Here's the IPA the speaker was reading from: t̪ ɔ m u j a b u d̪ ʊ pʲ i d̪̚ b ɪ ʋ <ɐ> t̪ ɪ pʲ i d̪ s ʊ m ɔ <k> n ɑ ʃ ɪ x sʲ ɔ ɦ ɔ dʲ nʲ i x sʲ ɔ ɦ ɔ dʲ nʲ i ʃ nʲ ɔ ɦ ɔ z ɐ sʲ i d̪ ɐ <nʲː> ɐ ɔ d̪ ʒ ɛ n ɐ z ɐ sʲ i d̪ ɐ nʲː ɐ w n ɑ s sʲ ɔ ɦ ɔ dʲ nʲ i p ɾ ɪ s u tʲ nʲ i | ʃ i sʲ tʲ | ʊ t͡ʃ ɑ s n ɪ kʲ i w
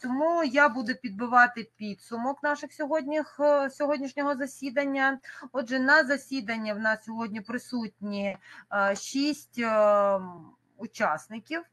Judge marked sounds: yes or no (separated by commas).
no, yes, yes